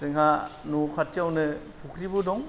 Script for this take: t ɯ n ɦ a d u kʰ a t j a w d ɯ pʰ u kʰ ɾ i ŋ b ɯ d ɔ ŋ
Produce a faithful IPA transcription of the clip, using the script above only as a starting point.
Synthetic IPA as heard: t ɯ ŋ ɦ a n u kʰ a t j a w n ɯ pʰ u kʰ ɾ i b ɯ d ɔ ŋ